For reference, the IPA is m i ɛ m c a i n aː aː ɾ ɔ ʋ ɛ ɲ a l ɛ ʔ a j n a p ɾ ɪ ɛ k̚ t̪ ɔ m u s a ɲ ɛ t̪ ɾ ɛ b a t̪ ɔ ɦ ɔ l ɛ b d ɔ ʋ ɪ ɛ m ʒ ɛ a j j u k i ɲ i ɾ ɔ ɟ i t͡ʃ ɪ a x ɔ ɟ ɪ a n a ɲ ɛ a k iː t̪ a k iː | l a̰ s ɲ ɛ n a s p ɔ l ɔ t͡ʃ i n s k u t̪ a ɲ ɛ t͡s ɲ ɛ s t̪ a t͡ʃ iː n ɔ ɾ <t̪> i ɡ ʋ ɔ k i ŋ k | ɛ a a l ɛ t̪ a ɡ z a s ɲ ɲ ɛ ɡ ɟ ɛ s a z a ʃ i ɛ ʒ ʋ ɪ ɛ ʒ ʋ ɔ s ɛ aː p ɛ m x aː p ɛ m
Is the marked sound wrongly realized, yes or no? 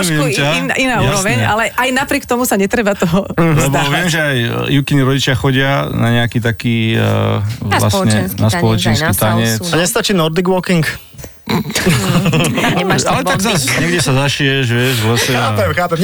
yes